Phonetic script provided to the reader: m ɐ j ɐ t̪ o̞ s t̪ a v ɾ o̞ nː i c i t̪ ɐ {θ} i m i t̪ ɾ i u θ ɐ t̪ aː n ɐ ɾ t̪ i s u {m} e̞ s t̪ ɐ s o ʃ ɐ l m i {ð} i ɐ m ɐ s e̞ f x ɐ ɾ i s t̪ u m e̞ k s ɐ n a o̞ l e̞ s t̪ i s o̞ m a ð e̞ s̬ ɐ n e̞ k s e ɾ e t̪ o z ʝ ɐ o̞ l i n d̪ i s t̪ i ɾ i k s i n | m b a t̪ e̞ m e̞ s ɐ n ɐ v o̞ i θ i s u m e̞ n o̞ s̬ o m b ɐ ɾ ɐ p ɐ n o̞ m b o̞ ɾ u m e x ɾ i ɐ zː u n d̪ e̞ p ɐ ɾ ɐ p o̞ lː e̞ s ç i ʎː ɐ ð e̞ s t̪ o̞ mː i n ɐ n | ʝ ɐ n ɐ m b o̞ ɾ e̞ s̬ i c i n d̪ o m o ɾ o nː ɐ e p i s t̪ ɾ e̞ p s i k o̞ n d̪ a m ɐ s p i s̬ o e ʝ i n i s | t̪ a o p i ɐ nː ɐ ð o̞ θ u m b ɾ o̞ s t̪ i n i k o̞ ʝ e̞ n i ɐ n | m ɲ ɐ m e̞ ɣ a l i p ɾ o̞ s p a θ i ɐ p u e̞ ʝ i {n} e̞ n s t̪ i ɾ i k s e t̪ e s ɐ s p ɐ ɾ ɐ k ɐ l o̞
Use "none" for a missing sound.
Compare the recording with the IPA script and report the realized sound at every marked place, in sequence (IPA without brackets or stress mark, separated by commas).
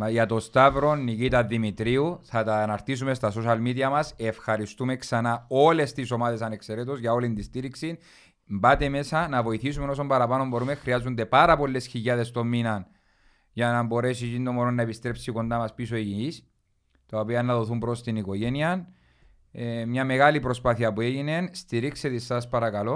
ð, m, ð, n